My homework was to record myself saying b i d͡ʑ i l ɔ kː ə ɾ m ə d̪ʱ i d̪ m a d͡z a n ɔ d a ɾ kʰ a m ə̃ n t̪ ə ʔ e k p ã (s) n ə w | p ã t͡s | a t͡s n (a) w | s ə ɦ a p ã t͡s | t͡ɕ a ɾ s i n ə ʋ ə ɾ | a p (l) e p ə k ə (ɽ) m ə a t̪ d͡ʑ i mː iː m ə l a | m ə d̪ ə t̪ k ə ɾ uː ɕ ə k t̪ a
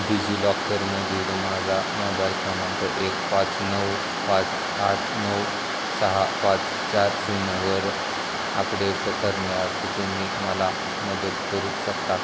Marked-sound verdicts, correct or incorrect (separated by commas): incorrect, incorrect, incorrect, incorrect